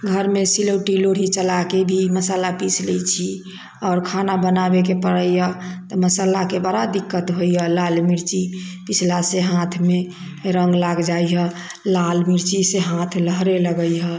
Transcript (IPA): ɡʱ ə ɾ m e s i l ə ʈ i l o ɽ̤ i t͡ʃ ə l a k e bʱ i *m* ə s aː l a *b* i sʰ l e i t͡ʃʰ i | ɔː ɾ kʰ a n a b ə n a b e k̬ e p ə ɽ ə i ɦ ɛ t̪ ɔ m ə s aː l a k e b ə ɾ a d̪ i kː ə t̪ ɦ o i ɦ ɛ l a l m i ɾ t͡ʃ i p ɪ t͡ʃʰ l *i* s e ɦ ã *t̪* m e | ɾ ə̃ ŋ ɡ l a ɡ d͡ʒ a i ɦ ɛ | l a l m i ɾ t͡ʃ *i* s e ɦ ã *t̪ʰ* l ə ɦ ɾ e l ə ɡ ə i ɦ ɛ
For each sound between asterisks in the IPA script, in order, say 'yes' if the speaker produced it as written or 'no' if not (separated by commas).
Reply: yes, no, no, no, yes, yes